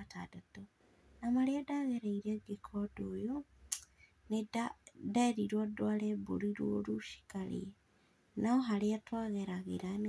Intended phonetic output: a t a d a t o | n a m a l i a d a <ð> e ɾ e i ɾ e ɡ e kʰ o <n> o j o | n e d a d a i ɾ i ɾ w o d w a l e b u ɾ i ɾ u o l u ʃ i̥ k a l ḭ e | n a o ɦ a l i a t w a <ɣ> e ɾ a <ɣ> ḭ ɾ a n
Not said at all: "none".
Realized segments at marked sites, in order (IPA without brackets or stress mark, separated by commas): ɣ, d, ɣ, ɣ